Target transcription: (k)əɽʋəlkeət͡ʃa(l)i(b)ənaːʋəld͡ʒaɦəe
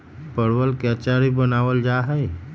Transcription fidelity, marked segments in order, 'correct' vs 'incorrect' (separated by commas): incorrect, incorrect, correct